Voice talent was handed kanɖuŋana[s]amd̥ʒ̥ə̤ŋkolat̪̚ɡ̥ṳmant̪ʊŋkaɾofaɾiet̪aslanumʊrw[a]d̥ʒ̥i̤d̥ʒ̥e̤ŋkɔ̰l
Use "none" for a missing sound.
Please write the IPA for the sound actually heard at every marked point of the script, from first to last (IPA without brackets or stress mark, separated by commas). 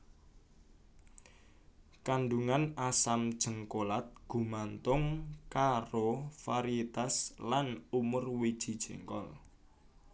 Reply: s, i